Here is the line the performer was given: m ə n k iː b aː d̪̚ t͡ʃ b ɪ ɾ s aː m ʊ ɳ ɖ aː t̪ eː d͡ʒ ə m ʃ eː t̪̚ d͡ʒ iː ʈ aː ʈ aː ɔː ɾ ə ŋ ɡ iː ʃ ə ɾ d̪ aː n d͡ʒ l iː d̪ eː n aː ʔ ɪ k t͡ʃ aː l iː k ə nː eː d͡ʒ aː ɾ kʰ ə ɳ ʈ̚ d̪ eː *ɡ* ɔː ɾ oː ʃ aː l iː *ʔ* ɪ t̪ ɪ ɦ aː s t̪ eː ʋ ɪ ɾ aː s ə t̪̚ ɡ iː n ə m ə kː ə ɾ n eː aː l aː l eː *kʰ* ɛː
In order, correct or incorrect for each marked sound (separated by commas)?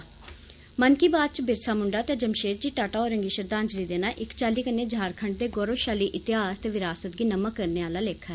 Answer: correct, correct, correct